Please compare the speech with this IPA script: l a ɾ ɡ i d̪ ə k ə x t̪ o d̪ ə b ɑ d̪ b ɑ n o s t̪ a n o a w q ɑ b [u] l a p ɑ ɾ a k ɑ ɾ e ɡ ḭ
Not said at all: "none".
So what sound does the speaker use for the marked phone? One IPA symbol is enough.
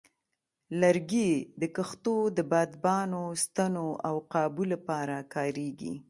u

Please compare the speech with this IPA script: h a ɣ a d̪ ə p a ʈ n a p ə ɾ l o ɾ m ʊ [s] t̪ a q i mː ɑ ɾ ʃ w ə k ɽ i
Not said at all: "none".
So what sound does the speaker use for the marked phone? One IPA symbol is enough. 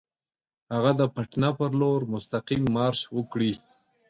s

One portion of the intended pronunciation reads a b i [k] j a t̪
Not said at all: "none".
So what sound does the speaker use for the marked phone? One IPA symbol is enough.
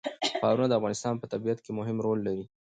none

